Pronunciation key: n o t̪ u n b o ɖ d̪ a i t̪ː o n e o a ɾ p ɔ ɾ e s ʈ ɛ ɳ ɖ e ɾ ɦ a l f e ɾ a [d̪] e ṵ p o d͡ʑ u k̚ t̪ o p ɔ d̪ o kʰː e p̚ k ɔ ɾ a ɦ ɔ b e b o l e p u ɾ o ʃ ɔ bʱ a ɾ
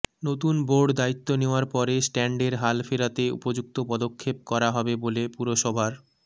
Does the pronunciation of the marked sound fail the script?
yes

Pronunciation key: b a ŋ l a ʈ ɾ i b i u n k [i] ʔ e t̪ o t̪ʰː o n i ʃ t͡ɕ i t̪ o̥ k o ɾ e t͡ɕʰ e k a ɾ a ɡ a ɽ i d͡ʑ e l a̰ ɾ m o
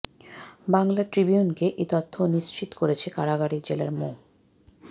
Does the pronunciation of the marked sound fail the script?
yes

